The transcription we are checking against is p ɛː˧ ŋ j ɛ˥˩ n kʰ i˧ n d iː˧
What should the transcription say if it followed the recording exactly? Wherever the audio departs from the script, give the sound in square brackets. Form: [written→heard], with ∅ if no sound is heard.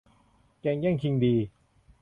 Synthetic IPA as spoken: [p→k] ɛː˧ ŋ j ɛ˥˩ [n→ŋ] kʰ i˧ [n→ŋ] d iː˧